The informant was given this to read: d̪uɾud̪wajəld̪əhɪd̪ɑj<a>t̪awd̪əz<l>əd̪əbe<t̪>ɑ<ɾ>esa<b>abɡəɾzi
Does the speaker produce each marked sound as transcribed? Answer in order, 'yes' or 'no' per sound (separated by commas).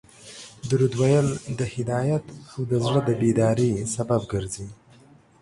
yes, no, no, yes, yes